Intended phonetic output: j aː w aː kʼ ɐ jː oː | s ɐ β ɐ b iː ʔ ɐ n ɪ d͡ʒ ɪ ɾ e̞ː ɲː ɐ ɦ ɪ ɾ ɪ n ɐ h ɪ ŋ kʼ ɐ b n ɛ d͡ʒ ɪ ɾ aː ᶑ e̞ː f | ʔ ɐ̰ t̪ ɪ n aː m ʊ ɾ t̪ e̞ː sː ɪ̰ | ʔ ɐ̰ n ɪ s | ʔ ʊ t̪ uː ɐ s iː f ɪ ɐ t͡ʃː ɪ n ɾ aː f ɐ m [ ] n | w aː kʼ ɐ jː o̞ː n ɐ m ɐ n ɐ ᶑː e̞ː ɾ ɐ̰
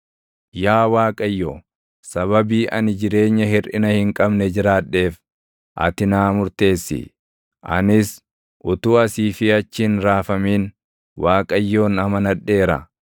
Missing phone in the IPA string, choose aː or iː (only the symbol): iː